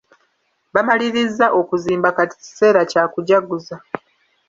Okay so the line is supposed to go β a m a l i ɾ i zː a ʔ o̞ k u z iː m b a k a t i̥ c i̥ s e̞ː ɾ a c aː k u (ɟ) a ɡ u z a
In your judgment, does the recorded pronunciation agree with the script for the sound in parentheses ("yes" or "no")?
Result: yes